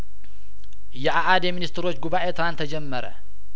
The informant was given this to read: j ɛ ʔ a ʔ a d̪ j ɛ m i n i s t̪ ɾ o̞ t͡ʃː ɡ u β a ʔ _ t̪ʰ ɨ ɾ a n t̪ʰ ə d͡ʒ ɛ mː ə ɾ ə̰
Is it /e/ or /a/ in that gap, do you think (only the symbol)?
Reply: e